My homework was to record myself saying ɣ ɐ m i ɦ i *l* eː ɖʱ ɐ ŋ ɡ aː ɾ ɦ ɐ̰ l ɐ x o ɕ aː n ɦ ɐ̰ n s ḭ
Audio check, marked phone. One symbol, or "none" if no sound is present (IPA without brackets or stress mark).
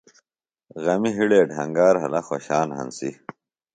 ɽ